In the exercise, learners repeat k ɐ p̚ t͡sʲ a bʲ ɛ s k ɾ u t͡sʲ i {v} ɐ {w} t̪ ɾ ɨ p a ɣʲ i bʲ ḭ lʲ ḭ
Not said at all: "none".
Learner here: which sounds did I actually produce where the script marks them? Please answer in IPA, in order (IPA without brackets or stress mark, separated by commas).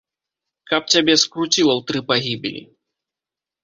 w, w